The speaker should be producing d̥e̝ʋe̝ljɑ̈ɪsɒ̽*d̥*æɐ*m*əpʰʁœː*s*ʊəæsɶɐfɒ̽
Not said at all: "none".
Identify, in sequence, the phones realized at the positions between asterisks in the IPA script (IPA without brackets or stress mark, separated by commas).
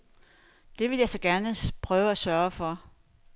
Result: ɡ̥, n, none